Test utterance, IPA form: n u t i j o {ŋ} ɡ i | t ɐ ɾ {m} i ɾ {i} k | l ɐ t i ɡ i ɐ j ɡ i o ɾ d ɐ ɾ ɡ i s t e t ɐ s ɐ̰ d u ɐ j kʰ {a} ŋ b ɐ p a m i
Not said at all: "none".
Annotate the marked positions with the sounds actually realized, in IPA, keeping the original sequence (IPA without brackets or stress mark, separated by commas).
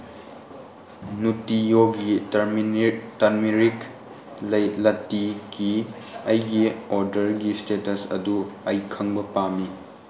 none, m, i, ɐ